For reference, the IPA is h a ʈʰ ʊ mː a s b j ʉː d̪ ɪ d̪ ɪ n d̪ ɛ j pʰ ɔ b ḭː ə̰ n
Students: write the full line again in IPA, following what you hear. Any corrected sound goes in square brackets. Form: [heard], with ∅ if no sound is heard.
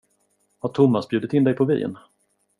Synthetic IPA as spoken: h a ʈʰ ʊ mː a s b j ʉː d̪ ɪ [t̪] ɪ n d̪ ɛ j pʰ ɔ [v] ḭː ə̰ n